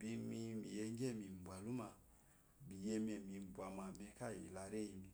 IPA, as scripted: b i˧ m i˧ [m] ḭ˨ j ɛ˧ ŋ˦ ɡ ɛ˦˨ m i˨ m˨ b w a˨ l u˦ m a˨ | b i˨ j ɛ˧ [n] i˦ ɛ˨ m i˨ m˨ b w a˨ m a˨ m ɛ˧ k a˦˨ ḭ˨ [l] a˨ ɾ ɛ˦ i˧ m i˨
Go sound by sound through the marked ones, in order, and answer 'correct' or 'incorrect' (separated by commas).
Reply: correct, incorrect, correct